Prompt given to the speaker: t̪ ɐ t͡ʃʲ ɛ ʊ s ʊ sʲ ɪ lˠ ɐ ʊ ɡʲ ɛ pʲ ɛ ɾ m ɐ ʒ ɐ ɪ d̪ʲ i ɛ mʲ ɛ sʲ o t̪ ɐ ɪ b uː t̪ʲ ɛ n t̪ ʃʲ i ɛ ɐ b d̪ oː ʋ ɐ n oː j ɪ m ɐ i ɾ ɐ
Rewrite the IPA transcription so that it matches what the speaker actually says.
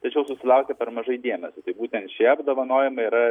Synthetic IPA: t̪ ɐ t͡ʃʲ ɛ ʊ s ʊ sʲ ɪ lˠ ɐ ʊ kʲ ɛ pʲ ɛ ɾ m ɐ ʒ ɐ ɪ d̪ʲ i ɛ mʲ ɛ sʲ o t̪ ɐ ɪ b uː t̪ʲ ɛ n t̪ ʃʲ i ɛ ɐ b d̪ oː ʋ ɐ n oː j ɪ m ɐ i ɾ ɐ